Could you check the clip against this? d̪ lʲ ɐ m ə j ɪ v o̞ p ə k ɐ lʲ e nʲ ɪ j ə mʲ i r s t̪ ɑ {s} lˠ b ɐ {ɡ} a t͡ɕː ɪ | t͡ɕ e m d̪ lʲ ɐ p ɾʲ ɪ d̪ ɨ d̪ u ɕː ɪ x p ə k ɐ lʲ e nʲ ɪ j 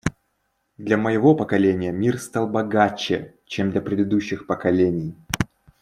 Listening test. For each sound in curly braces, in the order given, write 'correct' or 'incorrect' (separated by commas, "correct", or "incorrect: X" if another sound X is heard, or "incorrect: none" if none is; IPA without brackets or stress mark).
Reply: incorrect: none, correct